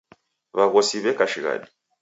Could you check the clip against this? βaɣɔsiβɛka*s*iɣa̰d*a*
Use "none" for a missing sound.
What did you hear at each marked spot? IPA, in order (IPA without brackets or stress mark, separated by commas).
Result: ʃ, i